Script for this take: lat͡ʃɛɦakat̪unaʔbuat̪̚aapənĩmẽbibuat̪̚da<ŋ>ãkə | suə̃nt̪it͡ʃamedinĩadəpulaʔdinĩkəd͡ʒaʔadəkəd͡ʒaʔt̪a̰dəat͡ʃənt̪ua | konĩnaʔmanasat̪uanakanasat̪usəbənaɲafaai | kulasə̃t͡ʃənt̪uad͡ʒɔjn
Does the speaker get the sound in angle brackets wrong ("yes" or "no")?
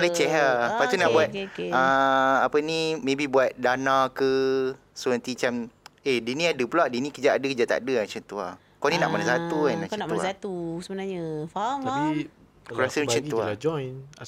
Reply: yes